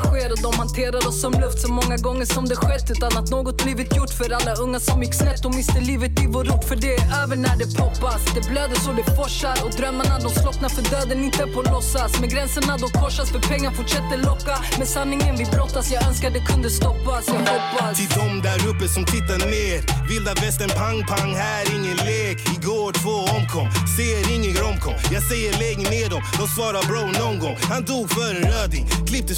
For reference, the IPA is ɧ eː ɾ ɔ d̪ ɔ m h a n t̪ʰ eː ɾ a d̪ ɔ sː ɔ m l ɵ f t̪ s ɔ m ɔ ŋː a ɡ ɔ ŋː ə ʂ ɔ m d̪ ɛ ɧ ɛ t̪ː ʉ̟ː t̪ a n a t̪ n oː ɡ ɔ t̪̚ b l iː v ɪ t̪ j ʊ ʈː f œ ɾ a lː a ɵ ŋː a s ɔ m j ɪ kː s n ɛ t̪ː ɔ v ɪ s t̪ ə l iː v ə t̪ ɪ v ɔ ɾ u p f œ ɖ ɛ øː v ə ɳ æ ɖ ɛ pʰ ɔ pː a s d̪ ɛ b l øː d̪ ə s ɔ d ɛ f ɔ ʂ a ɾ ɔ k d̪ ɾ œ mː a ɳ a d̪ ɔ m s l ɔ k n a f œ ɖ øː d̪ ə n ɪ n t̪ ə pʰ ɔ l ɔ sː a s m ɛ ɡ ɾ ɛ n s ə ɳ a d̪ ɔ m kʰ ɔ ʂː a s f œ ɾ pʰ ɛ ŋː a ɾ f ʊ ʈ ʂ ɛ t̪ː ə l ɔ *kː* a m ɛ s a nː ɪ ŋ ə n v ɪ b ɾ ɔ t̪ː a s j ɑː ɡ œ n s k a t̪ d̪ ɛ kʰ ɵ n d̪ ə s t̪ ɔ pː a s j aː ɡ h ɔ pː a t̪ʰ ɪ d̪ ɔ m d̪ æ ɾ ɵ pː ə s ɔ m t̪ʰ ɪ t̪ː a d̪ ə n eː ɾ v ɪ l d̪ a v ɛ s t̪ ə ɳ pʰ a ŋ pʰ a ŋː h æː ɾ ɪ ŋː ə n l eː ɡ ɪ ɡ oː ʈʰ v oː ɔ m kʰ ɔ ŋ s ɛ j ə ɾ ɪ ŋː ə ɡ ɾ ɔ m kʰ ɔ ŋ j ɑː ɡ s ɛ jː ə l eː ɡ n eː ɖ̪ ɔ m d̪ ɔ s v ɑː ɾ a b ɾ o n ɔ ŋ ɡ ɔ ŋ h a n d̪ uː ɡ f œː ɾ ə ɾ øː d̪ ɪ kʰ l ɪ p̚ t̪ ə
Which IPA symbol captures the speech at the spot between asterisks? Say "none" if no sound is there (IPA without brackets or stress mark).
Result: kː